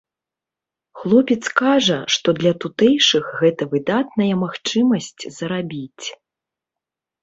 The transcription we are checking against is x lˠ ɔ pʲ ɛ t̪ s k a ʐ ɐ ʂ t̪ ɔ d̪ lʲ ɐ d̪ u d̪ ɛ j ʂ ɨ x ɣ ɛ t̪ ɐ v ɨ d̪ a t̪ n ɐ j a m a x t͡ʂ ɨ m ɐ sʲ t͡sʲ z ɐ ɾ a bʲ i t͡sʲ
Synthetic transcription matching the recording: x lˠ ɔ pʲ ɛ t̪ s k a ʐ ɐ ʂ t̪ ɔ d̪ lʲ ɐ t̪ u t̪ ɛ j ʂ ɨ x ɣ ɛ t̪ ɐ v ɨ d̪ a t̪ n ɐ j ɐ m a x t͡ʂ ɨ m ɐ sʲ t͡sʲ z ɐ ɾ a bʲ i t͡sʲ